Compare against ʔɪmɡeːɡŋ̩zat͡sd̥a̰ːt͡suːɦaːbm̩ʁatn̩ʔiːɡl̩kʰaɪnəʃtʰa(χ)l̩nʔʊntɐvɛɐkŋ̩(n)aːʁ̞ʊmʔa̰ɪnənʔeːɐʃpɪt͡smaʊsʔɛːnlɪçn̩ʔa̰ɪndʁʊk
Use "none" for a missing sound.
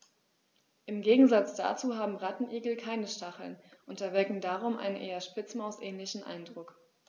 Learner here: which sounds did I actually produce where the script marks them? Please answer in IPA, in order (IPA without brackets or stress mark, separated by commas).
χ, d